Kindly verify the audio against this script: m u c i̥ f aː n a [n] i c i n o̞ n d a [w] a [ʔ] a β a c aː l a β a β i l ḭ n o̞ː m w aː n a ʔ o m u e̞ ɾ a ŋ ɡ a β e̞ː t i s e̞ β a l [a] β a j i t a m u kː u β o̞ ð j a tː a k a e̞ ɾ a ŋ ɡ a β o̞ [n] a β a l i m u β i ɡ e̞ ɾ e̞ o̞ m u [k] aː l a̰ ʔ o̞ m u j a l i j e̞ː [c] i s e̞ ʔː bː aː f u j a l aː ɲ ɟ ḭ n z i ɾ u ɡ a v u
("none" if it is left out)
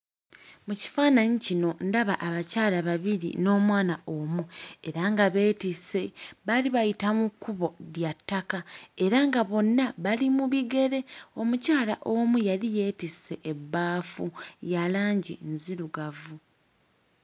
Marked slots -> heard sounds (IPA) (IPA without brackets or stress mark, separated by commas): ɲ, β, ʔ, i, nː, c, t